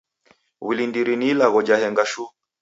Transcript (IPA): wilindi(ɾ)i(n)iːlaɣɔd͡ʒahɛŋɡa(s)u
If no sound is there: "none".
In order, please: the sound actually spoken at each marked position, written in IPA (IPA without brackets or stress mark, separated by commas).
ɾ, n, ʃ